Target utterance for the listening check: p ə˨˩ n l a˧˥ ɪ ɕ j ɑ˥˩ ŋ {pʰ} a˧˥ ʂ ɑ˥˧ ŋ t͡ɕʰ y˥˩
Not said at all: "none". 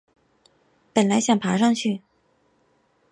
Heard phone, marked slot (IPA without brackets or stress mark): pʰ